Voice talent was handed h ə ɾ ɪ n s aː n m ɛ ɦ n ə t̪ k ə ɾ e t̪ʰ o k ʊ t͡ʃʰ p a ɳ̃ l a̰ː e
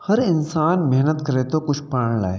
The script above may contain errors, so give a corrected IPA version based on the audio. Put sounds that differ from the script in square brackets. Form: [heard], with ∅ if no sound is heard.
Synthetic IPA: h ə ɾ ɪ n s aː n m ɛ ɦ n ə t̪ k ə ɾ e [t̪] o k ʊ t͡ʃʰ p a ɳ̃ l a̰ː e